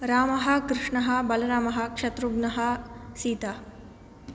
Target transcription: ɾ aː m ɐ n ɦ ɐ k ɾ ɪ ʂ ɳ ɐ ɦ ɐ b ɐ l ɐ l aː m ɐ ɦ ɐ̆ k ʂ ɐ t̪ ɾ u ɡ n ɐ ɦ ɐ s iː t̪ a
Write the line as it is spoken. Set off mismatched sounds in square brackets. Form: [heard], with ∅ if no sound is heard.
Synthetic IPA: ɾ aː m ɐ [∅] ɦ ɐ k ɾ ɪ ʂ ɳ ɐ ɦ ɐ b ɐ l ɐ [ɾ] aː m ɐ ɦ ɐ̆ k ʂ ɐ t̪ ɾ u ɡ n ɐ ɦ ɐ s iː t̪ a